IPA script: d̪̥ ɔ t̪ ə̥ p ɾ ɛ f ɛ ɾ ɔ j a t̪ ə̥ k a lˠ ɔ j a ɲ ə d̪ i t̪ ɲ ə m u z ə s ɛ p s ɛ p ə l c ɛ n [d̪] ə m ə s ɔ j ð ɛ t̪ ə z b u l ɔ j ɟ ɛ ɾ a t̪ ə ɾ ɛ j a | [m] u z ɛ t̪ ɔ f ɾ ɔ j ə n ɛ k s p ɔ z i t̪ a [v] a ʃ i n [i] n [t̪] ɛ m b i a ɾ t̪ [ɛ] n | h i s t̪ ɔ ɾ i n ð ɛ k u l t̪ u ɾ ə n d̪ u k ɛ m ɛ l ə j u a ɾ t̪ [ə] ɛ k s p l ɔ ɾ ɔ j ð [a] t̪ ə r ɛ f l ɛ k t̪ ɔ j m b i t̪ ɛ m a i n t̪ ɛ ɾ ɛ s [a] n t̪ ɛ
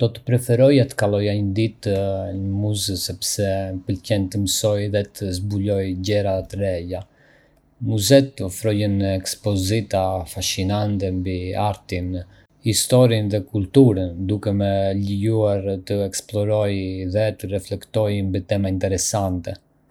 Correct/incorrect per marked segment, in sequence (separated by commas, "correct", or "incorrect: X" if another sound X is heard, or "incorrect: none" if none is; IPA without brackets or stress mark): incorrect: t̪, correct, incorrect: f, incorrect: a, correct, incorrect: i, correct, incorrect: ɛ, correct